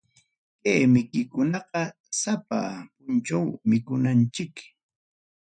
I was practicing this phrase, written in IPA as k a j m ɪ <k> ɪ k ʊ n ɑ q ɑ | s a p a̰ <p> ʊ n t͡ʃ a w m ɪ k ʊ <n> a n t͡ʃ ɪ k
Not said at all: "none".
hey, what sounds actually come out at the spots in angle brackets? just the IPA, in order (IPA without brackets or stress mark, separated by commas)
k, p, n